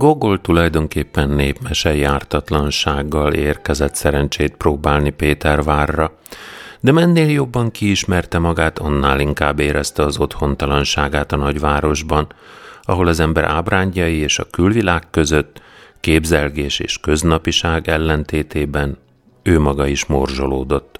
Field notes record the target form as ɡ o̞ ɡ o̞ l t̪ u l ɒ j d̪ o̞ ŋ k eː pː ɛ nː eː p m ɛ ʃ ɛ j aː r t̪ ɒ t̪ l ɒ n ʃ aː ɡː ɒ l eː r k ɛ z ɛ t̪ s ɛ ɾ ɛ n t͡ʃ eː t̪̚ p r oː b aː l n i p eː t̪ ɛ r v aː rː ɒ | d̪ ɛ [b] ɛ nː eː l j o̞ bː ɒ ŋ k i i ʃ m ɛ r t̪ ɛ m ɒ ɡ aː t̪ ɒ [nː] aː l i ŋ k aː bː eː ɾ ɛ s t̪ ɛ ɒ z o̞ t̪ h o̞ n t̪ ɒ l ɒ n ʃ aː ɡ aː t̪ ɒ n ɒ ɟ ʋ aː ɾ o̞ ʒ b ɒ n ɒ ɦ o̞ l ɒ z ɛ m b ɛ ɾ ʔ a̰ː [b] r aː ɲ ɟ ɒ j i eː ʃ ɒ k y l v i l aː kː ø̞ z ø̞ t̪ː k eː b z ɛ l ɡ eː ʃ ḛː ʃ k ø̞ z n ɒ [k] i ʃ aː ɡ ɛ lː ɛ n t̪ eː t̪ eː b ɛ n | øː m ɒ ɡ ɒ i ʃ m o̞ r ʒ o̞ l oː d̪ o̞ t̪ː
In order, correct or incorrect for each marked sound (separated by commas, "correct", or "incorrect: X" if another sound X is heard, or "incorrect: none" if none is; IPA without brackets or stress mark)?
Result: incorrect: m, correct, correct, incorrect: p